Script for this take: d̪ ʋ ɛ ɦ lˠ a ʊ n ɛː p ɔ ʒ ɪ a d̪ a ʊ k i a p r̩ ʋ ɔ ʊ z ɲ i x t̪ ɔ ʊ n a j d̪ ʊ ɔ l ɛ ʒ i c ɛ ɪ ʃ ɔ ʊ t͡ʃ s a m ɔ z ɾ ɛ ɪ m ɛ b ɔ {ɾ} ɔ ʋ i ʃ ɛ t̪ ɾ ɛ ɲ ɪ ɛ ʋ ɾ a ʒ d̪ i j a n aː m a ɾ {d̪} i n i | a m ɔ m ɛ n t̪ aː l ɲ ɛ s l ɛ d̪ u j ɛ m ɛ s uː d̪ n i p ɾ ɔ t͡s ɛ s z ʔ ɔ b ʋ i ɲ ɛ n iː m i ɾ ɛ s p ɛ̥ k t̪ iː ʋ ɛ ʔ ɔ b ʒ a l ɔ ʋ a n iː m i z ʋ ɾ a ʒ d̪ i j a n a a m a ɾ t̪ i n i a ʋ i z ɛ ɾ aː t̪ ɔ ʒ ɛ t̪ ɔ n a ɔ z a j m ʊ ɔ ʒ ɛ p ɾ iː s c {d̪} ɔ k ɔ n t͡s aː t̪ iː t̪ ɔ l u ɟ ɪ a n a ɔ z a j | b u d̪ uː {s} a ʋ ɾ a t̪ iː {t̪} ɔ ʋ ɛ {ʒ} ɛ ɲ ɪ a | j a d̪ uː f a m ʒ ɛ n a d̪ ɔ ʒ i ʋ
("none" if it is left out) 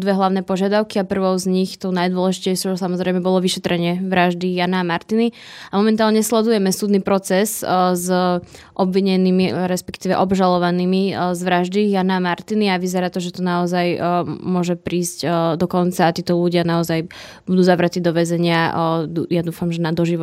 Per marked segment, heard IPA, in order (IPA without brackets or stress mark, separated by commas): l, t̪, d̪, z, d̪, z